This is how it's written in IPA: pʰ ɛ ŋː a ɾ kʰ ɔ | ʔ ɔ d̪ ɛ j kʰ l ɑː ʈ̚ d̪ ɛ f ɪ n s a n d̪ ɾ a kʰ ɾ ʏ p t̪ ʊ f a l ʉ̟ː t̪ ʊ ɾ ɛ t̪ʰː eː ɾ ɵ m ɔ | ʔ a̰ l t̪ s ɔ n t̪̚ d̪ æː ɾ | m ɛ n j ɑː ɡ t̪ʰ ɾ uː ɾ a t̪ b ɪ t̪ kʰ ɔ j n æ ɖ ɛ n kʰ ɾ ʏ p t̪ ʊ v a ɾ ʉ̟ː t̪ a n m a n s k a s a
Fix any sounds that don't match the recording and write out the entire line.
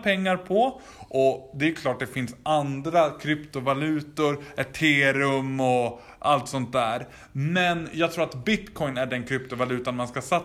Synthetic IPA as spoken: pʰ ɛ ŋː a ɾ pʰ ɔ | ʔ ɔ d̪ ɛ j kʰ l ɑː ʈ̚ d̪ ɛ f ɪ n s a n d̪ ɾ a kʰ ɾ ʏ p t̪ ʊ v a l ʉ̟ː t̪ ʊ ɾ ɛ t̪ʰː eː ɾ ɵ m ɔ | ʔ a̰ l t̪ s ɔ n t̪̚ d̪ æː ɾ | m ɛ n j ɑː ɡ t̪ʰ ɾ uː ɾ a t̪ b ɪ t̪ kʰ ɔ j n æ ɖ ɛ n kʰ ɾ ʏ p t̪ ʊ v a l ʉ̟ː t̪ a n m a n s k a s a